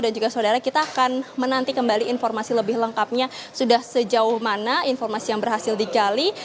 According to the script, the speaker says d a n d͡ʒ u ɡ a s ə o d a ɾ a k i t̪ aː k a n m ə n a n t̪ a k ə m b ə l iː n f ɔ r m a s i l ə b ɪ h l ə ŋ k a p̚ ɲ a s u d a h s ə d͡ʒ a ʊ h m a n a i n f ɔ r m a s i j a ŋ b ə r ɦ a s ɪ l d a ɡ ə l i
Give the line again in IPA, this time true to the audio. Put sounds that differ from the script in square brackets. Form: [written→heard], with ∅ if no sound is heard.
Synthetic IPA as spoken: d a n d͡ʒ u ɡ a s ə o d a ɾ a k i t̪ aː k a n m ə n a n t̪ [a→i] k ə m b [ə→a] l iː n f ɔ r m a s i l ə b ɪ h l ə ŋ k a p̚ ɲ a s u d a h s ə d͡ʒ a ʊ h m a n a i n f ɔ r m a s i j a ŋ b ə r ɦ a s ɪ l d [a→i] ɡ [ə→a] l i